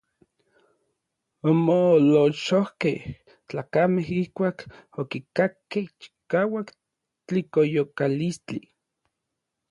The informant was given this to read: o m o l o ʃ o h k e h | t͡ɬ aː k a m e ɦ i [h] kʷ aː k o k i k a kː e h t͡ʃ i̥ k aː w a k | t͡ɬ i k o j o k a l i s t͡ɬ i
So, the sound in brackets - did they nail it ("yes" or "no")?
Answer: yes